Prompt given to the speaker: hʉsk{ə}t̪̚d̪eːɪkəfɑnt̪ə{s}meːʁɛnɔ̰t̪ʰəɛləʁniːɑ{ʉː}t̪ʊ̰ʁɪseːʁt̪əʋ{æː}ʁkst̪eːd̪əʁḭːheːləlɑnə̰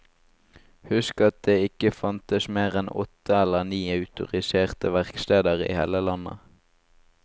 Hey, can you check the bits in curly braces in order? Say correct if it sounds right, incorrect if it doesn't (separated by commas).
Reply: incorrect, correct, incorrect, incorrect